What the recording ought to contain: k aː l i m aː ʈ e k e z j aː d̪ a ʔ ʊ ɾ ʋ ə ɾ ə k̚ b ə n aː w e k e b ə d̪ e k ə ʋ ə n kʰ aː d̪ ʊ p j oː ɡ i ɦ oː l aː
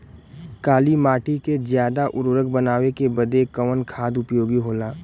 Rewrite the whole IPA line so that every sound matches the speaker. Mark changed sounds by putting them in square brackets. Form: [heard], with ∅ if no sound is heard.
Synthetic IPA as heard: k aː l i m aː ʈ [i] k e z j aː d̪ a ʔ ʊ ɾ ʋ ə ɾ ə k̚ b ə n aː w e k e b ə d̪ e k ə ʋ ə n kʰ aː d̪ ʊ p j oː ɡ i ɦ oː l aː

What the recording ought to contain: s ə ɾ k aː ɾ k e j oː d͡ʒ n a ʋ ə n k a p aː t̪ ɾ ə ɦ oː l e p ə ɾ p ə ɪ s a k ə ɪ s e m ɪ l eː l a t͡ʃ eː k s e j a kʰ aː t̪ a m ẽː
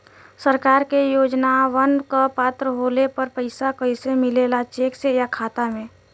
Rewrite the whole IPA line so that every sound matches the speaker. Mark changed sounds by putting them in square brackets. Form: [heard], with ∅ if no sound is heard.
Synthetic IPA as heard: s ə ɾ k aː ɾ k e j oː d͡ʒ n a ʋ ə n k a p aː t̪ ɾ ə ɦ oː l e p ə ɾ p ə ɪ s a k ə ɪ s e m ɪ l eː l a t͡ʃ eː k s e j a kʰ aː t̪ a m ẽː

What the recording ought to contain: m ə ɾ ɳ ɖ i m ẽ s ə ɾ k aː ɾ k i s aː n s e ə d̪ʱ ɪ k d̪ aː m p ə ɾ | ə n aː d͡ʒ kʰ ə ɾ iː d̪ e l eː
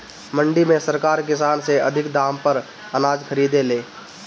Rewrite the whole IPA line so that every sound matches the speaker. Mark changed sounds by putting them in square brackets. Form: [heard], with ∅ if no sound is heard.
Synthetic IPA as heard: m ə [∅] ɳ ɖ i m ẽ s ə ɾ k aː ɾ k [ɪ] s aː n s e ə d̪ʱ ɪ k d̪ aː m p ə ɾ | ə n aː d͡ʒ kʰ ə ɾ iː d̪ e l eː

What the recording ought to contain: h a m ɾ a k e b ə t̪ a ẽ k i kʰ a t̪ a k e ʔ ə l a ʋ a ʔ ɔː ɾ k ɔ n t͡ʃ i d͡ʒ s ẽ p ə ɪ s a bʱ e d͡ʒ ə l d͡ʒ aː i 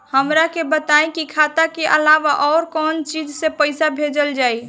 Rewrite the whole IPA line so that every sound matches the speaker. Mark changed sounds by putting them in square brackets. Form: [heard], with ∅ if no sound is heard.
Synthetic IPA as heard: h [ə] m ɾ a k e b ə t̪ a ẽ k i kʰ a t̪ a k e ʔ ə l a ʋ a ʔ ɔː ɾ k ɔ n t͡ʃ i d͡ʒ s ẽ p ə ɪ s a bʱ e d͡ʒ ə l d͡ʒ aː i

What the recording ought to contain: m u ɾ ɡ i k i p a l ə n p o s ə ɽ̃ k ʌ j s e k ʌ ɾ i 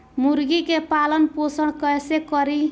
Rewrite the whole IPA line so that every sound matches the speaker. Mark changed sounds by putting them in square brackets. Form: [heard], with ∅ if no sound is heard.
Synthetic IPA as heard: m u ɾ ɡ i k [e] p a l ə n p o s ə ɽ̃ k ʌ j s e k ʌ ɾ i

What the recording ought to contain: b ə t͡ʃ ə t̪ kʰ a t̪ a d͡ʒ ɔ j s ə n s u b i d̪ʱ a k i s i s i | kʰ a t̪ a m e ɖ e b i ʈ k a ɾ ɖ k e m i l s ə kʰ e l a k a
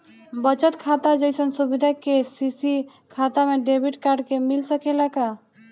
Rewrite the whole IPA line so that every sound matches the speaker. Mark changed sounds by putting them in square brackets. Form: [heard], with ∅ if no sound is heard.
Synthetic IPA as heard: b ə t͡ʃ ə t̪ kʰ a t̪ a d͡ʒ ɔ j s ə n s u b i d̪ʱ a k [e] s i s i | kʰ a t̪ a m e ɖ e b i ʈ k a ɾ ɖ k e m i l s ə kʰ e l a k a

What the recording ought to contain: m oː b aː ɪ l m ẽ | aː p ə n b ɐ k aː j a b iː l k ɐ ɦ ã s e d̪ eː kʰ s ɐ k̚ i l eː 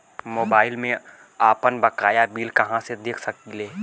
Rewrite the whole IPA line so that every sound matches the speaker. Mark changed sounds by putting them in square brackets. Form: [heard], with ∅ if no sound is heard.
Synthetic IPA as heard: m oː b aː ɪ l m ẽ | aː p ə n b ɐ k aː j a b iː l k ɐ ɦ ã s e d̪ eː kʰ s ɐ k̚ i l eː

